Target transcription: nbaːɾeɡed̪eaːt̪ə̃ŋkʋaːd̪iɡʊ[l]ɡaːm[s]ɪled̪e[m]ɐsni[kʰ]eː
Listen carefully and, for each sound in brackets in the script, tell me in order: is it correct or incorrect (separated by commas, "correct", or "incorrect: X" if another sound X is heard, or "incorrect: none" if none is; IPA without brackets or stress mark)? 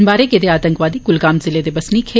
correct, incorrect: z, incorrect: b, correct